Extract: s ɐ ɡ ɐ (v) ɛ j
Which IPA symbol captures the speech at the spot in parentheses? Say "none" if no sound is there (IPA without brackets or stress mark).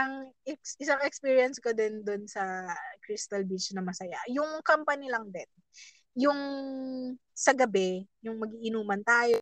b